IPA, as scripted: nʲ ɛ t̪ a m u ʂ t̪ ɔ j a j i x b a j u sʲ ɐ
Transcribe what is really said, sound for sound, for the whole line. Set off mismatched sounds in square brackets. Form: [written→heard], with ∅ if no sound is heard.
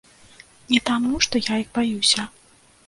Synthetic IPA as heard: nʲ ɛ t̪ a m u ʂ t̪ ɔ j a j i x b a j u sʲ ɐ